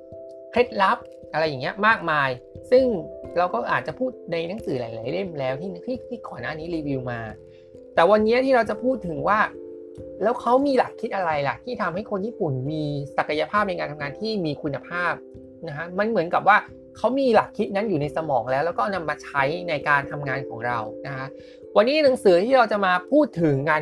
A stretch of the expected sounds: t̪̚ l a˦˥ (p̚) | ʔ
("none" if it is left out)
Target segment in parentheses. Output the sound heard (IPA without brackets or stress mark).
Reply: p̚